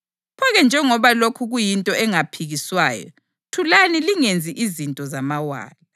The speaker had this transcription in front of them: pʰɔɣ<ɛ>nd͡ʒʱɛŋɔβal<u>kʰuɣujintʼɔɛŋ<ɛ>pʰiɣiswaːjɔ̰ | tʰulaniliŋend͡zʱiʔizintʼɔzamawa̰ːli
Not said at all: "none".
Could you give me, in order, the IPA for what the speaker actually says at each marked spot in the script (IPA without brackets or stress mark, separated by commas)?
ɛ, o, a